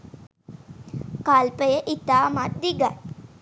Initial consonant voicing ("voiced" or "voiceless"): voiceless